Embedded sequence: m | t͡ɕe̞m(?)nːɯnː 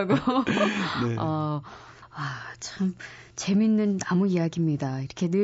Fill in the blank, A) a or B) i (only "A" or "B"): B